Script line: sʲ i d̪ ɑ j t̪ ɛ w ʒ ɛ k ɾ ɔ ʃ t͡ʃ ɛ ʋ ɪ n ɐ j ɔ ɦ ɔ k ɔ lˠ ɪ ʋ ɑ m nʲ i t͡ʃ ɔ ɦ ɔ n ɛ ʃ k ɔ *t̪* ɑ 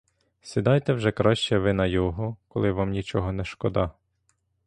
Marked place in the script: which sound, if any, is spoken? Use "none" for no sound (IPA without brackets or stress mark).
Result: d̪